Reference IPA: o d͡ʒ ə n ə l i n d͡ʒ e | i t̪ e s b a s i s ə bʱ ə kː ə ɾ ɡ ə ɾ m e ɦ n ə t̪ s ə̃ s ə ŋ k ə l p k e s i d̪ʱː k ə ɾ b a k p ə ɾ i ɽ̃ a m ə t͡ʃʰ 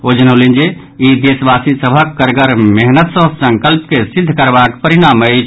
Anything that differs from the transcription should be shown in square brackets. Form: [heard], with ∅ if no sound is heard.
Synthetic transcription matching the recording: o d͡ʒ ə n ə l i n d͡ʒ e | i [d̪] e s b a s i s ə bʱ ə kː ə ɾ ɡ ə ɾ m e ɦ n ə t̪ s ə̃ s ə ŋ k ə l p k e s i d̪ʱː k ə ɾ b a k p ə ɾ i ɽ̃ a m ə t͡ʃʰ